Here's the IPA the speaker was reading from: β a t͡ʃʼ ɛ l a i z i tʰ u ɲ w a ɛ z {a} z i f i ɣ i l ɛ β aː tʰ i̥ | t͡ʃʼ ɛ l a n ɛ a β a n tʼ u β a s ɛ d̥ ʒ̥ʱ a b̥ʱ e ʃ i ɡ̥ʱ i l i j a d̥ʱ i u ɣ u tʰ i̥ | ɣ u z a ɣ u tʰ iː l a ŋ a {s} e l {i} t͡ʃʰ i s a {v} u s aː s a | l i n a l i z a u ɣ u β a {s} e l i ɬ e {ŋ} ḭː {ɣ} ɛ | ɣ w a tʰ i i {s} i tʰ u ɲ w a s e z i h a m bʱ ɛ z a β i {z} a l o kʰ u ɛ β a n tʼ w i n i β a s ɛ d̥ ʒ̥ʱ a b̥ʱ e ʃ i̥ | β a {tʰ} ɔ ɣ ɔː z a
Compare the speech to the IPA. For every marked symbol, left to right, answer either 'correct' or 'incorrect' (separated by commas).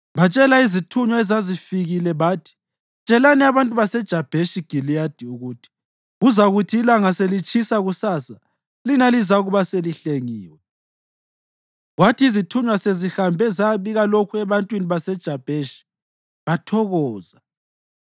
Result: correct, correct, correct, incorrect, correct, correct, incorrect, incorrect, incorrect, correct